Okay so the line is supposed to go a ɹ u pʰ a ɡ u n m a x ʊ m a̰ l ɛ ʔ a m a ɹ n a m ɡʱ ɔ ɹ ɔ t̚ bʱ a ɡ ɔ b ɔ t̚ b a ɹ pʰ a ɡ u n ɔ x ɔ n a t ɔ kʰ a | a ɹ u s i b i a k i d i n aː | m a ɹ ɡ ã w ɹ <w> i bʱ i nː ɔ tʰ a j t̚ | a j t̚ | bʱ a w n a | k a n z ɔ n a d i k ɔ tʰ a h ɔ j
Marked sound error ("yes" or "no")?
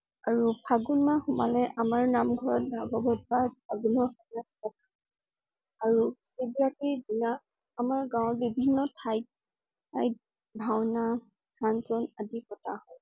yes